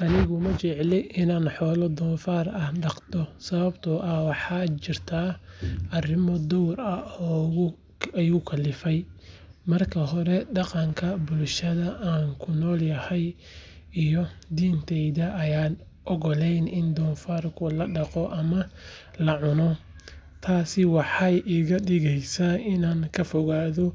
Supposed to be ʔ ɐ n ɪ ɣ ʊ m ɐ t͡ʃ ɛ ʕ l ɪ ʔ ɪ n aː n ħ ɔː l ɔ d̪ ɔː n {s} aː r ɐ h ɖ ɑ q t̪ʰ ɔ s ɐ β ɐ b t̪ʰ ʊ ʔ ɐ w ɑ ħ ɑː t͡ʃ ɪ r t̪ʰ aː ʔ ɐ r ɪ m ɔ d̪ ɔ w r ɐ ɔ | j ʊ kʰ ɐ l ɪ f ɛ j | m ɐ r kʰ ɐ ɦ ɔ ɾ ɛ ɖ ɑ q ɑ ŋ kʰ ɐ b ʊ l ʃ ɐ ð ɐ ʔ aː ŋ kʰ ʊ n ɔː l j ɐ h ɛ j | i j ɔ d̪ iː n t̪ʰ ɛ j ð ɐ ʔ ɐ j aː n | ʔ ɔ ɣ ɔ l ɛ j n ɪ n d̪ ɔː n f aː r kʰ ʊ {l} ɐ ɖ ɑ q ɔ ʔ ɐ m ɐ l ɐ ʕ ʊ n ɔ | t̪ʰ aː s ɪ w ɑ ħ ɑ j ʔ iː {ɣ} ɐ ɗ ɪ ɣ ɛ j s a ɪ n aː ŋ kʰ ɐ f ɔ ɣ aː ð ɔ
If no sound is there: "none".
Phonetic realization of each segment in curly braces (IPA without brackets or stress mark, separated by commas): f, l, ɣ